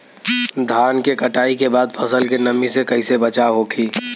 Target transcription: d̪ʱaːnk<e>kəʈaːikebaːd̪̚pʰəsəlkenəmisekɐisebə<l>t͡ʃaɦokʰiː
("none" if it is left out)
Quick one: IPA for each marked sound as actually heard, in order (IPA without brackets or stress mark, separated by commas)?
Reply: e, none